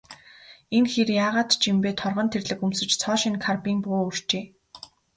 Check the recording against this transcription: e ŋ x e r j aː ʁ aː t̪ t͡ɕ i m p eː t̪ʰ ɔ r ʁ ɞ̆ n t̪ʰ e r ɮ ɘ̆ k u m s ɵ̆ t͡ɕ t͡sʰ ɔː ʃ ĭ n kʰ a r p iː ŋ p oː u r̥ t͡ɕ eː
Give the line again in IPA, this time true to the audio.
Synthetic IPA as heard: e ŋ x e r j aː ʁ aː t̪ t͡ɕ i m p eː t̪ʰ ɔ r ʁ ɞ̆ n t̪ʰ e r ɮ ɘ̆ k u m s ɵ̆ t͡ɕ t͡sʰ ɔː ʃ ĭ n kʰ a r p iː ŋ p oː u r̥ t͡ɕ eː